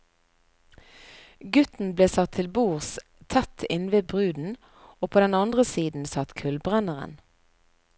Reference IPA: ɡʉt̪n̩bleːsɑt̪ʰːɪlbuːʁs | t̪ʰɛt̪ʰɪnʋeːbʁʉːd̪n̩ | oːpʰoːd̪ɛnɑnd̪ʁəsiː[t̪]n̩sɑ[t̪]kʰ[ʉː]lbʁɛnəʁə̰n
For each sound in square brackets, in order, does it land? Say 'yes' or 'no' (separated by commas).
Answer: no, yes, no